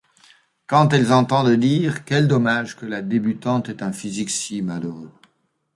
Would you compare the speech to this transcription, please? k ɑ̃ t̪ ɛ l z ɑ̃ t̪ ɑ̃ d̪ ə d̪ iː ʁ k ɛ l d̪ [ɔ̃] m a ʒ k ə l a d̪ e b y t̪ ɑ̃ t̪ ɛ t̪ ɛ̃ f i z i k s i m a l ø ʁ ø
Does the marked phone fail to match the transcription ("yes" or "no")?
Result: yes